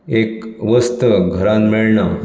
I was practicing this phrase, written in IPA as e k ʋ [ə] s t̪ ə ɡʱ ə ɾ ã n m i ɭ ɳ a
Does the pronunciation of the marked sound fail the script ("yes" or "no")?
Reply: no